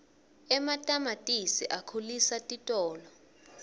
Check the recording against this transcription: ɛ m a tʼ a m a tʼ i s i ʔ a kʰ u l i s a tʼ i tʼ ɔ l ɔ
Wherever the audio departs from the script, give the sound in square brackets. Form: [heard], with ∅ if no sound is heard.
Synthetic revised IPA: ɛ m a tʼ a m a tʼ i s i ʔ a kʰ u l i s a tʼ i tʼ [ɔː] l ɔ